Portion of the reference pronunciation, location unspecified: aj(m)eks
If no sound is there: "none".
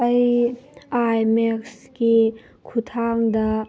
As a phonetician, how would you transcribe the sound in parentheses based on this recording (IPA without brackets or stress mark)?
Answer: m